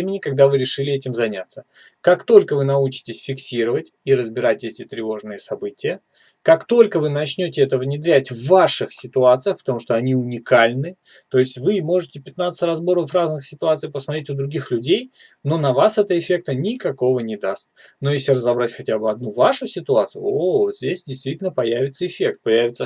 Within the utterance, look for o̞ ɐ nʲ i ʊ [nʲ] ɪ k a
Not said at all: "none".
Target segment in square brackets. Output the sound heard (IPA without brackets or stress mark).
nʲ